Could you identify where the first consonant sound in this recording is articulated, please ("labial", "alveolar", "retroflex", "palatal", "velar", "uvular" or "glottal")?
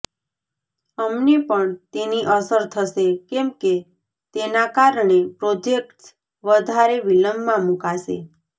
labial